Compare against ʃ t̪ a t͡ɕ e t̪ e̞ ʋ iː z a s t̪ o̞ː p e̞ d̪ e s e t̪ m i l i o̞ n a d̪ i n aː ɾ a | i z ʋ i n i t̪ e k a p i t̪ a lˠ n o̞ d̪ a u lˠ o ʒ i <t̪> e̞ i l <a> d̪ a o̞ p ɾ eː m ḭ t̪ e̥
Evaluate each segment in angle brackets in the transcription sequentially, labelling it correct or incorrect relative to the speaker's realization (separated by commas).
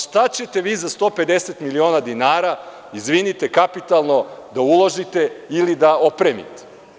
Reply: correct, incorrect